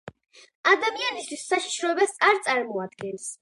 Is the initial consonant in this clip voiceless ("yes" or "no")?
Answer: no